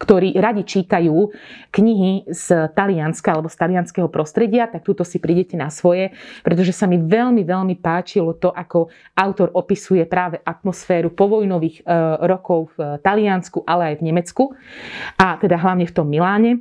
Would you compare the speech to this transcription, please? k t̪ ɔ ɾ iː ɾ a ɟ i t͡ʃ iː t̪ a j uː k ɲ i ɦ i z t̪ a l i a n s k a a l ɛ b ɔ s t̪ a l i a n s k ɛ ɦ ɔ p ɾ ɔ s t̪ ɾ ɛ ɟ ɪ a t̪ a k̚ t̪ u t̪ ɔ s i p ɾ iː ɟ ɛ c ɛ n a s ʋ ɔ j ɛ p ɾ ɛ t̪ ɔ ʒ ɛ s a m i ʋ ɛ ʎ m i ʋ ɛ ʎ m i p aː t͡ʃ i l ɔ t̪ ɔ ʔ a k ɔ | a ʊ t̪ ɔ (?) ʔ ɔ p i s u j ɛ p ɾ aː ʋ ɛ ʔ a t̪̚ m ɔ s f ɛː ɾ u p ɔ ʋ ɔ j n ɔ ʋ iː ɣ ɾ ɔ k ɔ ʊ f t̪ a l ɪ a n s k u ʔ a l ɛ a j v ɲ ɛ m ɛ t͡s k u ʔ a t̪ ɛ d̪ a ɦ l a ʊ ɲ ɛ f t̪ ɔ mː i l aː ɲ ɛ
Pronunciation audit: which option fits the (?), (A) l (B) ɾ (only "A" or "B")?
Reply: B